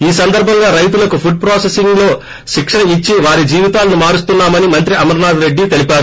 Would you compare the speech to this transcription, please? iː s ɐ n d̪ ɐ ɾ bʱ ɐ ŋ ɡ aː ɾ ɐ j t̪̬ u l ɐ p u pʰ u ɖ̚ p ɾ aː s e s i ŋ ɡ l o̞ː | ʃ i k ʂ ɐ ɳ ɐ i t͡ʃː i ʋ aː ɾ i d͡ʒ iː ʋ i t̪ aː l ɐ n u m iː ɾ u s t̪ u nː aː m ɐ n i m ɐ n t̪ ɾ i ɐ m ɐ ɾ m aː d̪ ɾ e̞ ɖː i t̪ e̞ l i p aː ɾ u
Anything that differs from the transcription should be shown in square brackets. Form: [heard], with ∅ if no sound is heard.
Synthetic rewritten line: iː s ɐ n d̪ ɐ ɾ bʱ ɐ ŋ ɡ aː ɾ ɐ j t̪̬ u l ɐ [k] u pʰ u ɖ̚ p ɾ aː s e s i ŋ ɡ l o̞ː | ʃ i k ʂ ɐ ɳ ɐ i t͡ʃː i ʋ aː ɾ i d͡ʒ iː ʋ i t̪ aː l ɐ n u m [aː] ɾ u s t̪ u nː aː m ɐ n i m ɐ n t̪ ɾ i ɐ m ɐ ɾ [n] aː d̪ ɾ e̞ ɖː i t̪ e̞ l i p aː ɾ u